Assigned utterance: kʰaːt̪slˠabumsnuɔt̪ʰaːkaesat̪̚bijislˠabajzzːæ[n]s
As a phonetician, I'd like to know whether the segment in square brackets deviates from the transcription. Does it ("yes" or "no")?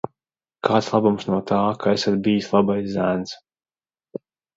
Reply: no